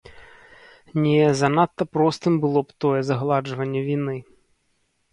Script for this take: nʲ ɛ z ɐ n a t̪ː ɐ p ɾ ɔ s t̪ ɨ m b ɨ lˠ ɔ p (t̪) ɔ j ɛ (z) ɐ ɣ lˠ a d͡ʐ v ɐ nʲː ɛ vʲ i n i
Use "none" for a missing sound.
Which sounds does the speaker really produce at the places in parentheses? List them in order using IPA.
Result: t̪, z

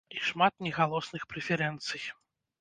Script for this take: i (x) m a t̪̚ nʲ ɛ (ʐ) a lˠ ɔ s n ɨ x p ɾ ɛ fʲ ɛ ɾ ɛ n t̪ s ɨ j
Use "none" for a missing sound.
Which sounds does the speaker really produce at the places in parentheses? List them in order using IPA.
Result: ʂ, ɣ

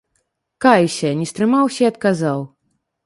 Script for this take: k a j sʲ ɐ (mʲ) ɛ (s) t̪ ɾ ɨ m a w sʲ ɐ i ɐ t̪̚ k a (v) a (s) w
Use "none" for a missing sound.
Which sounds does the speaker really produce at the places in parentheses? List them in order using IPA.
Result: nʲ, s, z, none

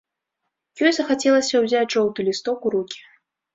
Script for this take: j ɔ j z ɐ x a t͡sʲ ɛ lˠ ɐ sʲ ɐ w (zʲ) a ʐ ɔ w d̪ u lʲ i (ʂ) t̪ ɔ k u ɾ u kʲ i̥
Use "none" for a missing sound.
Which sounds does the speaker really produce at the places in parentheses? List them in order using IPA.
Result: zʲ, s

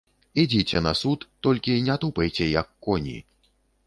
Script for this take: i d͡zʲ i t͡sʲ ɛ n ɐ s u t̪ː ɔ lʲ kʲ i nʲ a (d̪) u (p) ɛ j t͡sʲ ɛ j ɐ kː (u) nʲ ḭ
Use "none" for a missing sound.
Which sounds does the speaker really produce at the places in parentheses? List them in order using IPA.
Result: t̪, p, ɔ

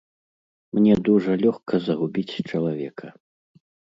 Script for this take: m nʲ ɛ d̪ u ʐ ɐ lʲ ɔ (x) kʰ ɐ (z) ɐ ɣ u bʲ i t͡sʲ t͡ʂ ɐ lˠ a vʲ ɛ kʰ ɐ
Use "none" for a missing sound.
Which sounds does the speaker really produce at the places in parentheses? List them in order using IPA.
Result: x, z

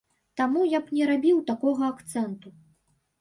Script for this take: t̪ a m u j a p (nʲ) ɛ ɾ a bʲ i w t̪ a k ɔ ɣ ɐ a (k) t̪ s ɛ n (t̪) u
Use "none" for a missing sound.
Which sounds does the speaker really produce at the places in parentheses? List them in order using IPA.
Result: nʲ, k, t̪

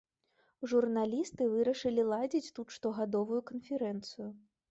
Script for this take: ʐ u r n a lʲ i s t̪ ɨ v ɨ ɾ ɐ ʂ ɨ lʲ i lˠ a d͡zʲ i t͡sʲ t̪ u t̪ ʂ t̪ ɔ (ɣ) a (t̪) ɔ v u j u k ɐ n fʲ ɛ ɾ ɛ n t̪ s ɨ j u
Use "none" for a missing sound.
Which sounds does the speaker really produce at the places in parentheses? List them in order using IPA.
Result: ɣ, d̪

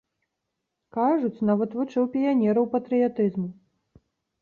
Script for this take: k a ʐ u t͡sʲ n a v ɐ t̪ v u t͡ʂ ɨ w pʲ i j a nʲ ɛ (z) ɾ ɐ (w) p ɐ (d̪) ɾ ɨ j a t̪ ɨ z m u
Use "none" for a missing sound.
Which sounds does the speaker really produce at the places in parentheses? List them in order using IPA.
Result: none, w, t̪

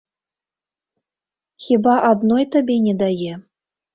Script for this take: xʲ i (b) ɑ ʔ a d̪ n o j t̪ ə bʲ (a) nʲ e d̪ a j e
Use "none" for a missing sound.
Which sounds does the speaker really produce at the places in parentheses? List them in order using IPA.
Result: b, e

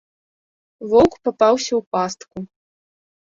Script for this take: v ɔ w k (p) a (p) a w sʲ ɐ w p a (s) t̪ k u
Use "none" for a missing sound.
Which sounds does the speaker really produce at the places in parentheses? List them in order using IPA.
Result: p, p, s

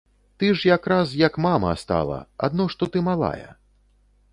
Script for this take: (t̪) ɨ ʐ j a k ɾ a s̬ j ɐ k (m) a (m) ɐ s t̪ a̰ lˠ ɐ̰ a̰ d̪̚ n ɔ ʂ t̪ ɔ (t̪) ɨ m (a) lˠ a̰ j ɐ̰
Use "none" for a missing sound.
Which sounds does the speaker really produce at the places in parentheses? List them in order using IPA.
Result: t̪, m, m, t̪, a

